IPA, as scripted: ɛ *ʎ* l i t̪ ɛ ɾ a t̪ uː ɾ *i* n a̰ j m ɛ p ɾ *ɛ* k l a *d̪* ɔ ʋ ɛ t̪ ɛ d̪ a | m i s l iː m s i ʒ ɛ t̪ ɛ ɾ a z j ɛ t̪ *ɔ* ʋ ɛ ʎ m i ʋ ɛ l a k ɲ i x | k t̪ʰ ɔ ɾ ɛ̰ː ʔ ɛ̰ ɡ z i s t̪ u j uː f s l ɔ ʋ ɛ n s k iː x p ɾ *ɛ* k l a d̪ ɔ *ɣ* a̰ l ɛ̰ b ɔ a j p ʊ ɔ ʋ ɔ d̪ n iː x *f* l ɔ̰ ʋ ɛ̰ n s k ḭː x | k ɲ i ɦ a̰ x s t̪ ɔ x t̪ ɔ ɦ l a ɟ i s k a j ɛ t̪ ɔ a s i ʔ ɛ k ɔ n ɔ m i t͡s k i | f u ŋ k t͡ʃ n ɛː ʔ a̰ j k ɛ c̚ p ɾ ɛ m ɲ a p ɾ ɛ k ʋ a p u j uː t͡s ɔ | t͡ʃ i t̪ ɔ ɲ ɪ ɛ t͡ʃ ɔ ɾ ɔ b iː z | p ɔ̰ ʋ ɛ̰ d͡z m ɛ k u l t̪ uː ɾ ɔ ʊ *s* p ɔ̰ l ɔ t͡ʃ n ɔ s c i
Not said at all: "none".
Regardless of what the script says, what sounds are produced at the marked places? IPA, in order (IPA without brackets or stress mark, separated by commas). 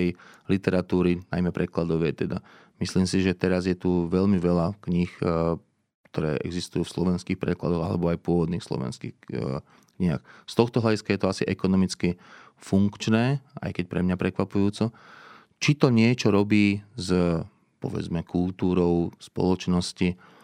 j, i, ɛ, d̪, u, ɛ, ɣ, s, s